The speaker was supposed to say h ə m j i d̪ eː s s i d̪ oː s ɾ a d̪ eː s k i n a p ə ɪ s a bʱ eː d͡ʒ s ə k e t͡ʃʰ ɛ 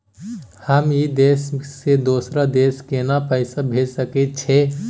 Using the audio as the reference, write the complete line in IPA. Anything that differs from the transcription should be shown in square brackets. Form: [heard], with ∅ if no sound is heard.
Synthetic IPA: h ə m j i d̪ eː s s [e] d̪ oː s ɾ a d̪ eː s k [e] n a p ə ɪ s a bʱ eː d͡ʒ s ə k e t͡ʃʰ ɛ